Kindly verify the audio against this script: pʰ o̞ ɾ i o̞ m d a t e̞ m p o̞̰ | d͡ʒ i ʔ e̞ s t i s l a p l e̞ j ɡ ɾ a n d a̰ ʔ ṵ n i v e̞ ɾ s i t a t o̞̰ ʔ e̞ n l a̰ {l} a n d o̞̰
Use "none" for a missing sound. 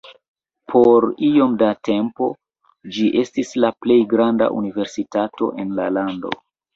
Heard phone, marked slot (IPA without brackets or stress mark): l